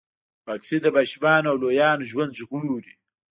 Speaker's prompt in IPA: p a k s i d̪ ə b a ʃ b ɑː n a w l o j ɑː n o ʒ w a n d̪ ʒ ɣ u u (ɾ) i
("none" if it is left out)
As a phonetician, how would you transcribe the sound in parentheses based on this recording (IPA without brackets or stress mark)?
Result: ɾ